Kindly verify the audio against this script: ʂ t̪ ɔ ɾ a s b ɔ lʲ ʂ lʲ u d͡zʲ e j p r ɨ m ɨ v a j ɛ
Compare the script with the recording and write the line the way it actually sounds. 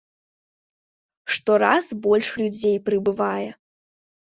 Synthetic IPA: ʂ t̪ ɔ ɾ a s b ɔ lʲ ʂ lʲ u d͡zʲ e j p ɾ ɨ b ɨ v a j ɛ